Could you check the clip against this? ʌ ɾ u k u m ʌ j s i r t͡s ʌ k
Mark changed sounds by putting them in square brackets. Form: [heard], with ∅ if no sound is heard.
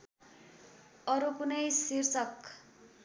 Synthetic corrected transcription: ʌ ɾ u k u [n] ʌ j s i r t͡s ʌ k

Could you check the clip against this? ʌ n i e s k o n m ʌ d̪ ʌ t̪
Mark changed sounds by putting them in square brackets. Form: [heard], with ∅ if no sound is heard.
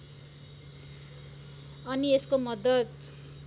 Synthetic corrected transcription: ʌ n i e s k o [∅] m ʌ d̪ ʌ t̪

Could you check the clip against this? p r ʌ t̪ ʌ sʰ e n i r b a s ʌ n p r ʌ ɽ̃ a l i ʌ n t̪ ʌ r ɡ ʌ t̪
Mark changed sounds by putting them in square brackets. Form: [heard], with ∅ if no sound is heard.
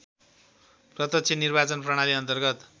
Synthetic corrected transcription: p r ʌ t̪ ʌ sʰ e n i r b a [t͡s] ʌ n p r ʌ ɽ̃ a l i ʌ n t̪ ʌ r ɡ ʌ t̪

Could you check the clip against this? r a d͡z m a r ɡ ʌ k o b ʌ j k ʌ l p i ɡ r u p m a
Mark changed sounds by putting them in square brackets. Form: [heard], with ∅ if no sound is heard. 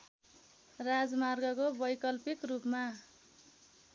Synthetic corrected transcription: r a d͡z m a r ɡ ʌ k o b ʌ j k ʌ l p i [k] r u p m a

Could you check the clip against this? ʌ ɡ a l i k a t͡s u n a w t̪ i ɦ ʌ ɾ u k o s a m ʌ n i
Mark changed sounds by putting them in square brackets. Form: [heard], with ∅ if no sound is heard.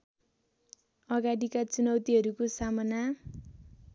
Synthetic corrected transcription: ʌ ɡ a [ɽ] i k a t͡s u n [ʌ] w t̪ i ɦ ʌ ɾ u k o s a m ʌ n [a]

